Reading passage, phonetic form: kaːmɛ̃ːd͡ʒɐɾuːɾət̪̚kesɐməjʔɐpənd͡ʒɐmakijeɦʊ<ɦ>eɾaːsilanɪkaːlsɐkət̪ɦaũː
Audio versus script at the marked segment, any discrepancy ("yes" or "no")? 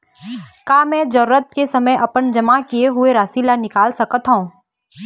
yes